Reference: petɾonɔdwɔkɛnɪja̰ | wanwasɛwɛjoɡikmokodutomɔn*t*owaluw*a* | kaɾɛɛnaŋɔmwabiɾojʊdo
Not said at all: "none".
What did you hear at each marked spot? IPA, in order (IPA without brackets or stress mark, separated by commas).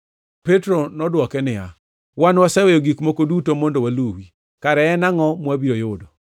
d, i